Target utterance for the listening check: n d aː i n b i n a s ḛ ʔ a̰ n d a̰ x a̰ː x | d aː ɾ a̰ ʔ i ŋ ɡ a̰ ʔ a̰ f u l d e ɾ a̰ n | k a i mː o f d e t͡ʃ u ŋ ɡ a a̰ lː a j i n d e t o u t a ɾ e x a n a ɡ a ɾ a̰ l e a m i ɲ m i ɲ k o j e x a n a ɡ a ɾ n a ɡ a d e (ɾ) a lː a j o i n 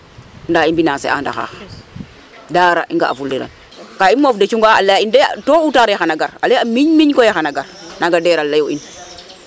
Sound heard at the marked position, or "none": ɾ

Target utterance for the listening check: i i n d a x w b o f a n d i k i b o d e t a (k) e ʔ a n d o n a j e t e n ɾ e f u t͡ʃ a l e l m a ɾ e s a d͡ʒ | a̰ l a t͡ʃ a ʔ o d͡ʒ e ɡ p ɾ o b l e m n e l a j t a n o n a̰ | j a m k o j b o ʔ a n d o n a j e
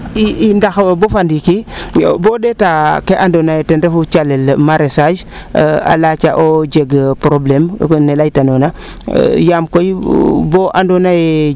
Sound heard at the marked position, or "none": k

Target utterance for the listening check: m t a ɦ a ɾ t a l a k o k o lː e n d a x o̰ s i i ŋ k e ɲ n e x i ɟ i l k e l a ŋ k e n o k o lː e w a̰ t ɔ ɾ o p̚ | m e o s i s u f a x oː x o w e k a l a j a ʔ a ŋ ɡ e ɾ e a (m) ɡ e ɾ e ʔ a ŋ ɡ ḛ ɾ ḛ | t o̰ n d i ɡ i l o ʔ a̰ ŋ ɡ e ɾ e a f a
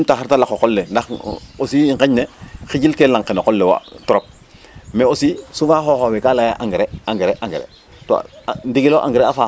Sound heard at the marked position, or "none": ŋ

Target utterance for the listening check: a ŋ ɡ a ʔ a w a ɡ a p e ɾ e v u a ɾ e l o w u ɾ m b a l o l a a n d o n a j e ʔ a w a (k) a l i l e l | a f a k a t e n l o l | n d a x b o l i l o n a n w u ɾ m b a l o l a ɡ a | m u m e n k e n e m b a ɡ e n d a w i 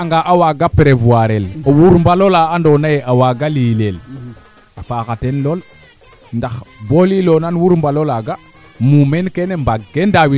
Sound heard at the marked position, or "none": ɡ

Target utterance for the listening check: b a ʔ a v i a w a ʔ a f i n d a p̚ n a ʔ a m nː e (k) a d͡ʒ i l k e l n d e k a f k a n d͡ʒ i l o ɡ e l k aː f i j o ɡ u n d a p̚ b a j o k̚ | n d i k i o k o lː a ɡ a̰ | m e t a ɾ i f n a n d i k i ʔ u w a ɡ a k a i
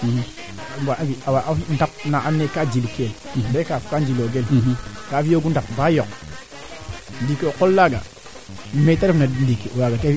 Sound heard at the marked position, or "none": k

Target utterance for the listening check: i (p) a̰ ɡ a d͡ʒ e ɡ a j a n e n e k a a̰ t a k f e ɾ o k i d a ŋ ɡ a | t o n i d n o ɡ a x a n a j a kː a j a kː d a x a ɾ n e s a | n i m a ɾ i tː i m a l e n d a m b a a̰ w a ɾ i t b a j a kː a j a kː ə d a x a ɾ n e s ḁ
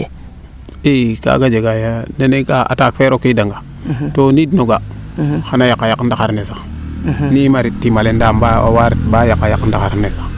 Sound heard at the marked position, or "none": k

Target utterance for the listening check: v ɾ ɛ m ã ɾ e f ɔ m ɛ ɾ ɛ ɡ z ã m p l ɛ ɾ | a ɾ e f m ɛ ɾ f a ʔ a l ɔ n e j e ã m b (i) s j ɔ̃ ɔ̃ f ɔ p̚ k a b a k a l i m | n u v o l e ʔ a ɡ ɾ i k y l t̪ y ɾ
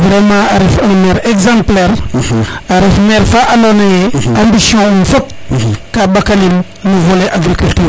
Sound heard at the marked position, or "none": i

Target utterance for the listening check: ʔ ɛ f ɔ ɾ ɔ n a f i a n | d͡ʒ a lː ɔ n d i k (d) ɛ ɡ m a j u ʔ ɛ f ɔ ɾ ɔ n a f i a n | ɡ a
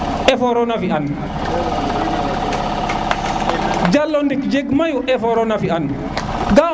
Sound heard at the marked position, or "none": d͡ʒ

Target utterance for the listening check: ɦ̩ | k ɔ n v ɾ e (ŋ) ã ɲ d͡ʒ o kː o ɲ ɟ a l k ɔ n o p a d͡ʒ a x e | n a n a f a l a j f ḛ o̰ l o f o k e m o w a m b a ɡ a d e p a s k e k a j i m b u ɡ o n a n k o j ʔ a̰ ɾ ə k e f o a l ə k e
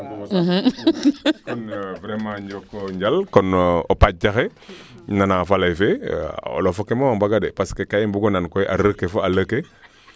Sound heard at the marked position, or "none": m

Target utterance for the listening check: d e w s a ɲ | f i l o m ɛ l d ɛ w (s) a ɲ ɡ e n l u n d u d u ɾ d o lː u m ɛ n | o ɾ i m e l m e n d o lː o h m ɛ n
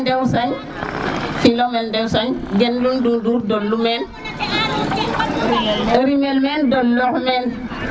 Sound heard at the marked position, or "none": s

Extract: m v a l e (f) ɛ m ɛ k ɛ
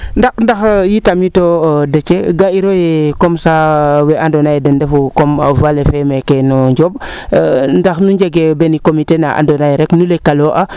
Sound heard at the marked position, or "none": f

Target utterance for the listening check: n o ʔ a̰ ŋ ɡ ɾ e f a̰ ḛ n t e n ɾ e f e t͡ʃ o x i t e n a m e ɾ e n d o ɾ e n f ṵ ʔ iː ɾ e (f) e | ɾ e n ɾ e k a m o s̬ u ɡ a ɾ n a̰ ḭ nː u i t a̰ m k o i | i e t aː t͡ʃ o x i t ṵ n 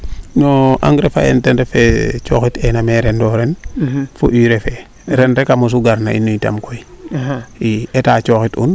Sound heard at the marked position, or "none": f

